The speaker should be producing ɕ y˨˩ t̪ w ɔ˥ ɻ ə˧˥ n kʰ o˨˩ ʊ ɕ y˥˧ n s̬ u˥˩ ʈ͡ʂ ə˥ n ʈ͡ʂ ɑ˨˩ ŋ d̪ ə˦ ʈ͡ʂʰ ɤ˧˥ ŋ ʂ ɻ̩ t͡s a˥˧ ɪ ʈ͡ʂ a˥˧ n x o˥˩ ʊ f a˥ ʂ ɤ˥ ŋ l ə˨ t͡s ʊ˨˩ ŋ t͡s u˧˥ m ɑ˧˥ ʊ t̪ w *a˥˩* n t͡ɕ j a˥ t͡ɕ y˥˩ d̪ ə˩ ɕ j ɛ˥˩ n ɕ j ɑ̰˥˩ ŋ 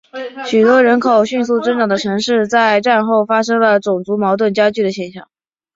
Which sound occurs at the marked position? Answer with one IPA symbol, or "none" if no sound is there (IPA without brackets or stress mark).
ə˥˩